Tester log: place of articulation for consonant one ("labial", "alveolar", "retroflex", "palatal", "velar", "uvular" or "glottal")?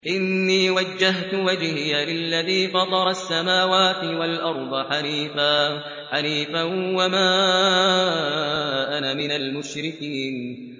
glottal